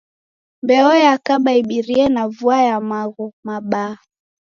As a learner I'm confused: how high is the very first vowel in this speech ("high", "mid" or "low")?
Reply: mid